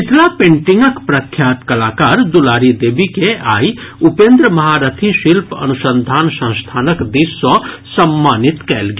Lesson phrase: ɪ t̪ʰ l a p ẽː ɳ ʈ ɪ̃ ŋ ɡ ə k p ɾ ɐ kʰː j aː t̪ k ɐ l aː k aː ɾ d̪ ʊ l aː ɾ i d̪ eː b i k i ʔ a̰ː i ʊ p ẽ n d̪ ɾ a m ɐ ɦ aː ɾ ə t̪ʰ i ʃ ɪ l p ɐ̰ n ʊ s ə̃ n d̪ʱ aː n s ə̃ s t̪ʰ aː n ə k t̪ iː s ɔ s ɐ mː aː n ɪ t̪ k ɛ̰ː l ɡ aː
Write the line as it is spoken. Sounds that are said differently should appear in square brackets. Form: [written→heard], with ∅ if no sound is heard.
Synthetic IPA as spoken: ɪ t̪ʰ l a p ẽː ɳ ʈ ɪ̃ ŋ ɡ ə k p ɾ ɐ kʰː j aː t̪ k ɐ l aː k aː ɾ d̪ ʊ l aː ɾ i d̪ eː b i k [i→e] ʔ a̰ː i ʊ p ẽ n d̪ ɾ [a→ə] m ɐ ɦ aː ɾ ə t̪ʰ i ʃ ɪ l p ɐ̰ n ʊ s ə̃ n d̪ʱ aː n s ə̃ s t̪ʰ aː n ə k [t̪→d̪] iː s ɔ s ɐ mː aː n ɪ t̪ k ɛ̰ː l ɡ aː